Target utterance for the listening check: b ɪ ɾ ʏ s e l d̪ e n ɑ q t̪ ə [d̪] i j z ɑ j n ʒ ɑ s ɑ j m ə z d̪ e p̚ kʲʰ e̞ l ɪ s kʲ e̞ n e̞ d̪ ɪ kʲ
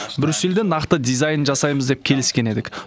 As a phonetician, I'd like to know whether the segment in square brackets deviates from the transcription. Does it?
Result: no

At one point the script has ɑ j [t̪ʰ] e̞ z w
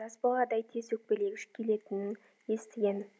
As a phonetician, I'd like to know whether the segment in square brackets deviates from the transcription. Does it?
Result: no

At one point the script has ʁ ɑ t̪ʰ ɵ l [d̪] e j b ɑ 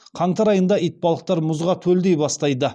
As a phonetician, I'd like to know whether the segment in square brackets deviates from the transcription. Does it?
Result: no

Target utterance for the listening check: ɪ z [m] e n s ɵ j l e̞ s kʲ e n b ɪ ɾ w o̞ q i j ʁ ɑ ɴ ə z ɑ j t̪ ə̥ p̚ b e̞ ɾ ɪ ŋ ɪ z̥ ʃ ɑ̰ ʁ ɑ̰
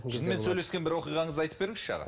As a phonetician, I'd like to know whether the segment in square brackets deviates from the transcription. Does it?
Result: no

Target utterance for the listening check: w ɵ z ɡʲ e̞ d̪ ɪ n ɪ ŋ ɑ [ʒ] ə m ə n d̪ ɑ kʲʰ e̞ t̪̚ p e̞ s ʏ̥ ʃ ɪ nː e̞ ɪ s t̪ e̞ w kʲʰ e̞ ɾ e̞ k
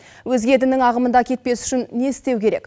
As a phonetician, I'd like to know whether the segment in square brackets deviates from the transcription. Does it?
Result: yes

